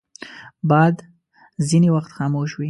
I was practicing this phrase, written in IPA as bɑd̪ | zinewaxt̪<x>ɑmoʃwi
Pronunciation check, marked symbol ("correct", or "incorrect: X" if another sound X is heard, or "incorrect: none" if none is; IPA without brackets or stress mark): correct